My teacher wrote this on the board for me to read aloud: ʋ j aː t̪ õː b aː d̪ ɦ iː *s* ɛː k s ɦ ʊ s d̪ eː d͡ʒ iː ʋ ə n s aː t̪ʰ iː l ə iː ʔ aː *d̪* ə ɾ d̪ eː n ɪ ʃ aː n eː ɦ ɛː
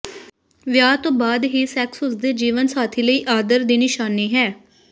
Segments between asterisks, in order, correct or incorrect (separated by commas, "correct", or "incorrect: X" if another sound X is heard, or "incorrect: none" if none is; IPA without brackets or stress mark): correct, correct